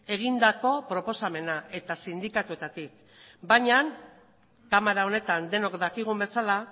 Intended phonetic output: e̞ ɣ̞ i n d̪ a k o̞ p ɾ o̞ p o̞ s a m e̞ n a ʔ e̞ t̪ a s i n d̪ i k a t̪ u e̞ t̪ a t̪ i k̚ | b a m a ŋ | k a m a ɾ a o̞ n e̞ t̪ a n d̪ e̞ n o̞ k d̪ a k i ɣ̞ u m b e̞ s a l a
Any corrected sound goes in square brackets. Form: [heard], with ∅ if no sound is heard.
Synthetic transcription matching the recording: e̞ ɣ̞ i n d̪ a k o̞ p ɾ o̞ p o̞ s a m e̞ n a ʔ e̞ t̪ a s i n d̪ i k a t̪ u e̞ t̪ a t̪ i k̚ | b a [ɲ] a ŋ | k a m a ɾ a o̞ n e̞ t̪ a n d̪ e̞ n o̞ k d̪ a k i ɣ̞ u m b e̞ s a l a

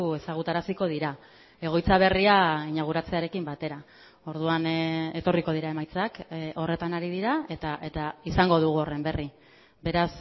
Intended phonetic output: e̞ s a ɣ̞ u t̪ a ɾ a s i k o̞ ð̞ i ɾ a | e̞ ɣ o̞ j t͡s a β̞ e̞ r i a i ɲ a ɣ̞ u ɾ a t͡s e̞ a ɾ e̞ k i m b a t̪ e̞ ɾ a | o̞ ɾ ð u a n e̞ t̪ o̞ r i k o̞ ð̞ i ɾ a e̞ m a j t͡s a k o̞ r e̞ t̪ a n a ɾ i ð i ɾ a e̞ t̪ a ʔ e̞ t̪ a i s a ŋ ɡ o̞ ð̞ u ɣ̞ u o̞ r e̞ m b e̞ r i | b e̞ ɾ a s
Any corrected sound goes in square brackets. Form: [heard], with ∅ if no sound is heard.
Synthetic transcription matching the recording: e̞ s a ɣ̞ u t̪ a ɾ a s i k o̞ ð̞ i ɾ a | e̞ ɣ o̞ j t͡s a β̞ e̞ r i a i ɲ a ɣ̞ u ɾ a t͡s e̞ a ɾ e̞ k i m b a t̪ e̞ ɾ a | o̞ ɾ ð u a n e̞ t̪ o̞ r i k o̞ ð̞ i ɾ a e̞ m a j t͡s a k o̞ r e̞ t̪ a n a ɾ i ð i ɾ a e̞ t̪ a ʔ e̞ t̪ a i s a ŋ ɡ o̞ ð̞ u ɣ̞ u o̞ r e̞ m b e̞ r i | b e̞ ɾ a s

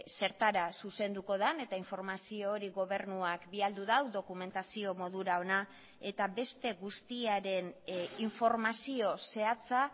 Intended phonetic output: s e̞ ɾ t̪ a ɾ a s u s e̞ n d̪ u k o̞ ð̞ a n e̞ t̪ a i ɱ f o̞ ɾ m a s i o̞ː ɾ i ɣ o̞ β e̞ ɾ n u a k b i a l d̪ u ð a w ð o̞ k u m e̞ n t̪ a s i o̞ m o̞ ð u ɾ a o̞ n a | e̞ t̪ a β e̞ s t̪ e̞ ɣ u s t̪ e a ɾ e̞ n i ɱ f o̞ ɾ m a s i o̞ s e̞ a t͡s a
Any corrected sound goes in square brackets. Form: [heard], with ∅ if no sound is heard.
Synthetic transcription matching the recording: s e̞ ɾ t̪ a ɾ a s u s e̞ n d̪ u k o̞ ð̞ a n e̞ t̪ a i ɱ f o̞ ɾ m a s i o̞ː ɾ i ɣ o̞ β e̞ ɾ n u a k b i a l d̪ u ð a w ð o̞ k u m e̞ n t̪ a s i o̞ m o̞ ð u ɾ a o̞ n a | e̞ t̪ a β e̞ s t̪ e̞ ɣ u s t̪ [i] a ɾ e̞ n i ɱ f o̞ ɾ m a s i o̞ s e̞ a t͡s a

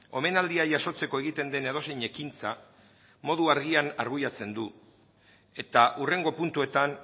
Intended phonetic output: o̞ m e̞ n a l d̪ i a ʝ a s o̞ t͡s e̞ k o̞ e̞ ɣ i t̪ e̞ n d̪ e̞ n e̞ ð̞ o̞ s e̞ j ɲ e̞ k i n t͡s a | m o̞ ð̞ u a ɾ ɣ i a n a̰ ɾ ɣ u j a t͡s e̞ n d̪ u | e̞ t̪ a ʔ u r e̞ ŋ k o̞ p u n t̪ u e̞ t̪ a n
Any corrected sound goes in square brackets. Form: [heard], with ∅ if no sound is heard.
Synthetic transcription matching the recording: o̞ m e̞ n a l d̪ i a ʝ a s o̞ t͡s e̞ k o̞ e̞ ɣ i t̪ e̞ n d̪ e̞ n e̞ ð̞ o̞ s e̞ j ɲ e̞ k i n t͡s a | m o̞ ð̞ u a ɾ ɣ i a n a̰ ɾ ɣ u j a t͡s e̞ n d̪ u | e̞ t̪ a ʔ u r e̞ ŋ [ɡ] o̞ p u n t̪ u e̞ t̪ a n

